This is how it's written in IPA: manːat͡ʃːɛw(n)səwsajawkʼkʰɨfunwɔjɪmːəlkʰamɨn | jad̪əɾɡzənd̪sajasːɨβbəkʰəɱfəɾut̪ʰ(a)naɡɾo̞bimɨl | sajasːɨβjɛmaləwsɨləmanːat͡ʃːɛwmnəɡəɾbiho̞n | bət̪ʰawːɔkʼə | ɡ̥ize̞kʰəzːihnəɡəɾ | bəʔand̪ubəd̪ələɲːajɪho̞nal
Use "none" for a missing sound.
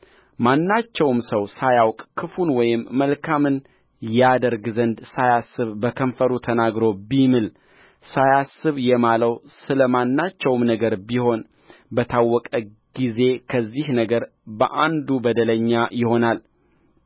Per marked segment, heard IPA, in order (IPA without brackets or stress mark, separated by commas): m, ə